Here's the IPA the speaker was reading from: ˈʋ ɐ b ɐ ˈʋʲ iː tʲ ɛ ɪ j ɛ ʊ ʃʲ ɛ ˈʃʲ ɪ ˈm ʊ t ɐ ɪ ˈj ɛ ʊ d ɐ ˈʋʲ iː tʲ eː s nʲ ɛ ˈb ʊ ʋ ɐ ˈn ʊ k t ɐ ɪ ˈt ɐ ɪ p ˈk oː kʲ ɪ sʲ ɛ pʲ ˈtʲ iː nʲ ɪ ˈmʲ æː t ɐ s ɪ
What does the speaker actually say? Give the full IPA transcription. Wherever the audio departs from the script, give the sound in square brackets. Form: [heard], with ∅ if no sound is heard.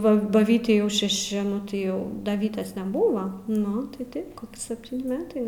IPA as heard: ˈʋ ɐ b ɐ ˈʋʲ iː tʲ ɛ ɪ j ɛ ʊ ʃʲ ɛ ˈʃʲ ɪ [ˈn] ʊ t ɐ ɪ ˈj ɛ ʊ d ɐ ˈʋʲ iː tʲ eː s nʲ ɛ ˈb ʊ ʋ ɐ ˈn ʊ [∅] t ɐ ɪ ˈt ɐ ɪ p ˈk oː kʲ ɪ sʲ ɛ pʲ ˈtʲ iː nʲ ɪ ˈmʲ æː t ɐ [∅] ɪ